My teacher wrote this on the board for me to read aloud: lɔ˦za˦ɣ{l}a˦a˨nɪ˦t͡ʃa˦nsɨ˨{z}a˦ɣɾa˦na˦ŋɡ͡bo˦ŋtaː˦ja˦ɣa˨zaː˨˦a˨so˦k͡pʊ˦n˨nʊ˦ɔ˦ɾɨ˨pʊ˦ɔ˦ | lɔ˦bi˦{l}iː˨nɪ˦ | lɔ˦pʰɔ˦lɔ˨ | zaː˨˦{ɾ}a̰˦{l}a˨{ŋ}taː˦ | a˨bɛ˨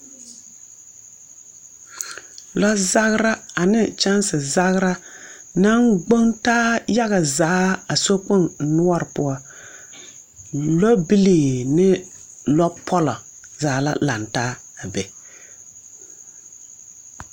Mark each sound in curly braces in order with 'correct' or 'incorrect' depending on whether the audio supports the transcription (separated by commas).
incorrect, correct, correct, incorrect, correct, incorrect